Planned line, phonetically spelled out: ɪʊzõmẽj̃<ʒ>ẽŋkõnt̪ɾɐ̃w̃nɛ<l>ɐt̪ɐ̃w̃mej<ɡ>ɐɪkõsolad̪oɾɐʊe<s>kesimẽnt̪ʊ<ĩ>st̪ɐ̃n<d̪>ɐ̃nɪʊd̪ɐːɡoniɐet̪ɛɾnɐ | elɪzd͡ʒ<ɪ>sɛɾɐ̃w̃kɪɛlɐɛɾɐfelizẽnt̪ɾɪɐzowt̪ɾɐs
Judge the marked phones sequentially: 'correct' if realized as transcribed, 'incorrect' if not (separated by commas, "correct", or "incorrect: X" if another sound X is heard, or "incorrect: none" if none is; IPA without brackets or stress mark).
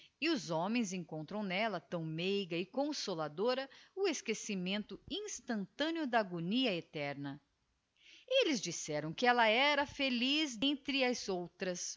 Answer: incorrect: z, correct, correct, correct, correct, incorrect: t̪, incorrect: i